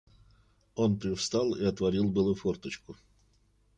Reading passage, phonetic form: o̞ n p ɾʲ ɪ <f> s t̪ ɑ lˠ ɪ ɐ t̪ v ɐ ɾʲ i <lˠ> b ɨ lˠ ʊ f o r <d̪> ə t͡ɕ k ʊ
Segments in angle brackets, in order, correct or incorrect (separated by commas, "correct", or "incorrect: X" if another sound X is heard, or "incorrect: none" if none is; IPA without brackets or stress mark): correct, correct, incorrect: t̪